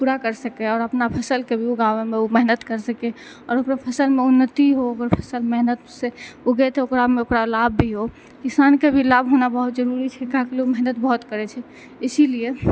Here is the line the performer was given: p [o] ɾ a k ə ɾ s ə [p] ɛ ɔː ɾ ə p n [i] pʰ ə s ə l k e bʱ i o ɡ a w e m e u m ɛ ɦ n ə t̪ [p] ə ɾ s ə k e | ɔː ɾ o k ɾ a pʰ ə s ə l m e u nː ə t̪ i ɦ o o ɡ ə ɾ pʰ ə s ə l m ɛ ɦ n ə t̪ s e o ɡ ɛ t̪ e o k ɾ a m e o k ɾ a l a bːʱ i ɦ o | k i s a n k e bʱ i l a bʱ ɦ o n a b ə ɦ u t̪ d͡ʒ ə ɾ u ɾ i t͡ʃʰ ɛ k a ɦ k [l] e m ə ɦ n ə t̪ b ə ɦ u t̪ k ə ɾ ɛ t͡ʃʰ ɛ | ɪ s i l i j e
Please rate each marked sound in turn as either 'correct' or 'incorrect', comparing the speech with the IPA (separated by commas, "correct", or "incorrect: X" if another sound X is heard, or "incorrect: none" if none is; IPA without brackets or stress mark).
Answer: incorrect: u, incorrect: k, incorrect: a, incorrect: k, correct